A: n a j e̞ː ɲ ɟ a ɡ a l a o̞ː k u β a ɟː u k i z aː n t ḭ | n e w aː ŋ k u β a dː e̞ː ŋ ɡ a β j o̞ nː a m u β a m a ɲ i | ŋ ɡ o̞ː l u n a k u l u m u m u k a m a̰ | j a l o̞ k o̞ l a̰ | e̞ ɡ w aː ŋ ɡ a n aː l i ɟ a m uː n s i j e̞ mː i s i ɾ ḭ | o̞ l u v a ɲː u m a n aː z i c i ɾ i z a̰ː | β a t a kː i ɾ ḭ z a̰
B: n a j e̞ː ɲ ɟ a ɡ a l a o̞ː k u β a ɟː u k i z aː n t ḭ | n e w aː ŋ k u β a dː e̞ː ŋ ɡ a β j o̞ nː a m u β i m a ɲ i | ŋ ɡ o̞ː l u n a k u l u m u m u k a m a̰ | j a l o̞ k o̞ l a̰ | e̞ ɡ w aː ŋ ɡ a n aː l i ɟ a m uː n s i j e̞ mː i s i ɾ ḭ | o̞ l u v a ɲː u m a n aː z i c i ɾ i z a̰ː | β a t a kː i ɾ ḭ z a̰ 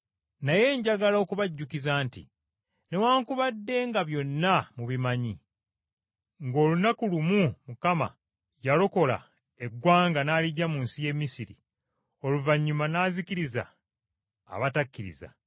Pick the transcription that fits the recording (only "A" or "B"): B